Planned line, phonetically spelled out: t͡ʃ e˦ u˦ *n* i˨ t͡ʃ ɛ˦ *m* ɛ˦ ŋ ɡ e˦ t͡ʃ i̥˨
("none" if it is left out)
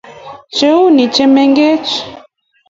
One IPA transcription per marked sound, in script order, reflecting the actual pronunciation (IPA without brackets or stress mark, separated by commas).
n, m